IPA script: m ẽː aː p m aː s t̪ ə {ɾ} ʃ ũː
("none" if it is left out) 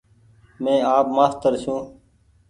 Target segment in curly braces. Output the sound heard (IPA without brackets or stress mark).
ɾ